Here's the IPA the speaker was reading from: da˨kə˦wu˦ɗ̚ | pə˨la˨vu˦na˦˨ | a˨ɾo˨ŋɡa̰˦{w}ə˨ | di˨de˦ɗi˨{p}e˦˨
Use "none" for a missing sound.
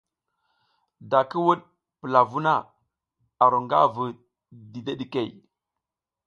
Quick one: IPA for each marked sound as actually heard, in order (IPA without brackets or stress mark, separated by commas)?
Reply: v, k